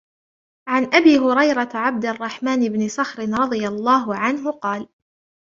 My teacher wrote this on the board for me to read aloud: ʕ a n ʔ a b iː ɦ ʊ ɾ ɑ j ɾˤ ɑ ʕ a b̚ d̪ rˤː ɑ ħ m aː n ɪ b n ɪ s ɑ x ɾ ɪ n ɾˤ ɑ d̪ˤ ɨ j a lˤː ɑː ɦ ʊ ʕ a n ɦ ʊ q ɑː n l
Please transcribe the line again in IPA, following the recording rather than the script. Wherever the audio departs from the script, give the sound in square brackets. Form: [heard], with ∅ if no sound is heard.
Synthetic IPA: ʕ a n ʔ a b iː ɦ ʊ ɾ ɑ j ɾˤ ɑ ʕ a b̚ d̪ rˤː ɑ ħ m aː n ɪ b n ɪ s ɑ x ɾ ɪ n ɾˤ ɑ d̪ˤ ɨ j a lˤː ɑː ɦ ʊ ʕ a n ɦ ʊ q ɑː [∅] l